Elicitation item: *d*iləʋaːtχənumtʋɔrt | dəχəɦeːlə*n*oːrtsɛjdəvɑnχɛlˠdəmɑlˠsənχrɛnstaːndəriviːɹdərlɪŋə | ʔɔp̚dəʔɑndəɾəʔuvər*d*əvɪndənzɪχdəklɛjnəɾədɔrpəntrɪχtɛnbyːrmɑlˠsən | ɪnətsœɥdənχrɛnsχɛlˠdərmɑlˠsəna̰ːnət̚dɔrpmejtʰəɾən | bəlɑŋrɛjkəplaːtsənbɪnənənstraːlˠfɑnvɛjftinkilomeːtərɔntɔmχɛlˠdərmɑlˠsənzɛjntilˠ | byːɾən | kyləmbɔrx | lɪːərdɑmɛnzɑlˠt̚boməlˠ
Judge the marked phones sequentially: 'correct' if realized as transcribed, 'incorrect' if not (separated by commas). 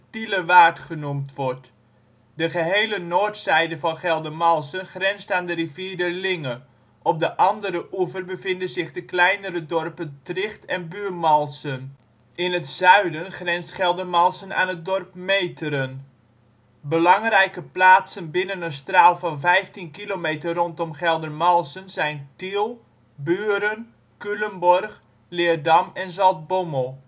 incorrect, correct, incorrect